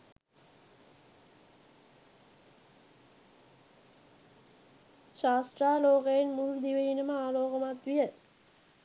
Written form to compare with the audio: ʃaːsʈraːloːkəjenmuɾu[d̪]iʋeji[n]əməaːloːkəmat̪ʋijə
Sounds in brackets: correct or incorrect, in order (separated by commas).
correct, correct